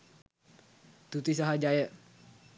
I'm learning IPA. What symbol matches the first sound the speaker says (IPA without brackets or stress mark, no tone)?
t̪